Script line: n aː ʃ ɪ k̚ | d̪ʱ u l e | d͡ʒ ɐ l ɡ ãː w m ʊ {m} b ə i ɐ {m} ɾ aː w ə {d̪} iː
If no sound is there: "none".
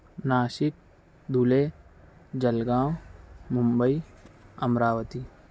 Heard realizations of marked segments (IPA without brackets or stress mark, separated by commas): m, m, t̪